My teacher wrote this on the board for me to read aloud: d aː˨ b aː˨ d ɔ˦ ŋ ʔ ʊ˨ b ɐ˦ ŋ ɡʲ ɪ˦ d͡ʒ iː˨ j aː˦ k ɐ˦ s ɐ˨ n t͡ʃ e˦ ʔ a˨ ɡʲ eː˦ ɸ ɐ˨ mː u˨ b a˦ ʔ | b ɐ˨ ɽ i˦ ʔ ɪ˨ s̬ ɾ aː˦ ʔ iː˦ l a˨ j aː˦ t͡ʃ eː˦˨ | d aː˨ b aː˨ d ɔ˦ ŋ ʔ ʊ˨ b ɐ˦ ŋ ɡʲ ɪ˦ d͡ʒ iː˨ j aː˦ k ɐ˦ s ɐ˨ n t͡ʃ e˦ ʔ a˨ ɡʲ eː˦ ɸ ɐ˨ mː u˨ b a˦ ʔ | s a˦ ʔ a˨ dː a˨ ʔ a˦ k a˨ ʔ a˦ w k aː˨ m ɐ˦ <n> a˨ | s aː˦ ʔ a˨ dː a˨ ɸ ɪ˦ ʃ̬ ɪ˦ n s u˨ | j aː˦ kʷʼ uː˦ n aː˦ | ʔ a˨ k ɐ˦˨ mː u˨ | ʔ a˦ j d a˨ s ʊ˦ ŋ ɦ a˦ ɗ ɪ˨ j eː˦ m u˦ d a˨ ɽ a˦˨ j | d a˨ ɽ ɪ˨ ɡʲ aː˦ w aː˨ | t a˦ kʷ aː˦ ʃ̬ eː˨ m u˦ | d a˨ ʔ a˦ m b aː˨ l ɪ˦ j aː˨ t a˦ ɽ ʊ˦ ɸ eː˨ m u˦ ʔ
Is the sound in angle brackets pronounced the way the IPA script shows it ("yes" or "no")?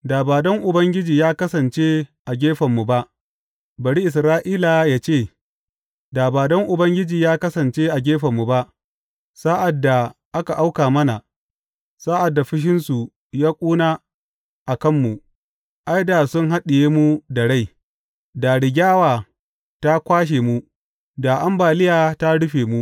yes